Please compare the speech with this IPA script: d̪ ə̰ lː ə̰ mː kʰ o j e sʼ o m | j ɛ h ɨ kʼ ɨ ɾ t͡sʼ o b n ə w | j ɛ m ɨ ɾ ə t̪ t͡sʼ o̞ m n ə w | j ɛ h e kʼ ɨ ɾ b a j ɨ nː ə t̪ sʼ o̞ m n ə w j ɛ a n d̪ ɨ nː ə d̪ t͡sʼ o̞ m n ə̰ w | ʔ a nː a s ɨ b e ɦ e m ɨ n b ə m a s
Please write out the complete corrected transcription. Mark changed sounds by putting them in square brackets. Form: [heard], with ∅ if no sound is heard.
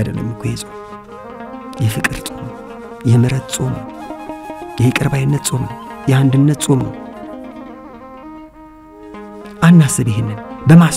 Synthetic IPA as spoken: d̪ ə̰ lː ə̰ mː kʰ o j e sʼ o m | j ɛ [f] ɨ kʼ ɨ ɾ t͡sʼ o [m] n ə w | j ɛ m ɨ ɾ ə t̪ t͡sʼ o̞ m n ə w | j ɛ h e kʼ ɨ ɾ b a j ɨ nː ə t̪ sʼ o̞ m n ə w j ɛ a n d̪ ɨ nː ə [t̪] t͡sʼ o̞ m n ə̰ w | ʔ a nː a s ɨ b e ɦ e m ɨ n b ə m a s